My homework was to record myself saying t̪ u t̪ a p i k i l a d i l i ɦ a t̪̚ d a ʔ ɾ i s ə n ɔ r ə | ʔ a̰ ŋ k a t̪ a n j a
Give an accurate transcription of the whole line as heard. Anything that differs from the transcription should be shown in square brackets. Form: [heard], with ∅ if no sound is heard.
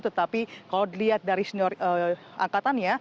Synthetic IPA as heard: t̪ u t̪ a p i k [a] l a d i l i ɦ a t̪̚ d a [∅] ɾ i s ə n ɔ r ə | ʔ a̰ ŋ k a t̪ a n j a